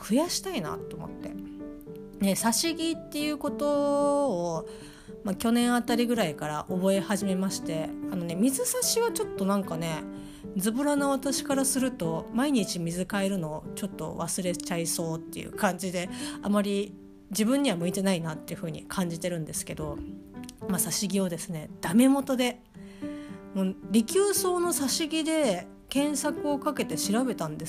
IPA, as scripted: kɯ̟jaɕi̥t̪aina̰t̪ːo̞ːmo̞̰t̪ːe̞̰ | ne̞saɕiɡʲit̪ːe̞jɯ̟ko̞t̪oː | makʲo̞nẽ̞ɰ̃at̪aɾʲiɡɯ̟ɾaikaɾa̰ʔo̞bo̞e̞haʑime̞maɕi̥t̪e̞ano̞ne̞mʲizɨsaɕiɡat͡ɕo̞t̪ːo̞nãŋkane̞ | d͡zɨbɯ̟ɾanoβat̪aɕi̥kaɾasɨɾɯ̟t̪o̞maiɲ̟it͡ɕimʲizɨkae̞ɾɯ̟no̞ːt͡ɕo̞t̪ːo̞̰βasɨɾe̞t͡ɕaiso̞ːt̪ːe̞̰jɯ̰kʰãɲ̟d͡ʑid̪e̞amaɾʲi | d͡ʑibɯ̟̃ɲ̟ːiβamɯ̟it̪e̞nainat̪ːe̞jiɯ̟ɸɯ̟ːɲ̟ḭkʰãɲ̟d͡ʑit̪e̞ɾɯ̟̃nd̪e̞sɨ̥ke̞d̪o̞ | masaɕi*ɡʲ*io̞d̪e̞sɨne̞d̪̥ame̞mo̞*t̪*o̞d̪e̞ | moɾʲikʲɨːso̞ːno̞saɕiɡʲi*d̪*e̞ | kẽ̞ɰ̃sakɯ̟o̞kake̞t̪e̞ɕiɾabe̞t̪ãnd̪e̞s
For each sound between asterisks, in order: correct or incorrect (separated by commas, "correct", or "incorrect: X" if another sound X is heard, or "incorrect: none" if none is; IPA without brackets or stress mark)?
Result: correct, correct, correct